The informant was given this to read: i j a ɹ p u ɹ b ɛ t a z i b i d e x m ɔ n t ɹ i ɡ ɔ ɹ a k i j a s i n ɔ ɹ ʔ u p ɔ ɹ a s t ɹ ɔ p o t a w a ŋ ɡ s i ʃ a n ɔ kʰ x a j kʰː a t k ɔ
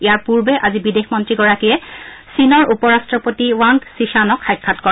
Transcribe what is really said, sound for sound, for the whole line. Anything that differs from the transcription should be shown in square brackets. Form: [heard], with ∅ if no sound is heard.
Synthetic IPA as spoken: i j a ɹ p u ɹ b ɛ [ʔ] a z i b i d e x m ɔ n t ɹ i ɡ ɔ ɹ a k i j [ɛ] s i n ɔ ɹ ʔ u p ɔ ɹ a s t ɹ ɔ p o t [i] w a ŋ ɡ s i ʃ a n ɔ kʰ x a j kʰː a t k ɔ